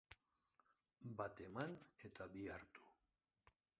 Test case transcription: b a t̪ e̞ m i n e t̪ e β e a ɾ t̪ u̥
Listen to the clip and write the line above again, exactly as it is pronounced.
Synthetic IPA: b a t̪ e̞ m a n e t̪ a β i a ɾ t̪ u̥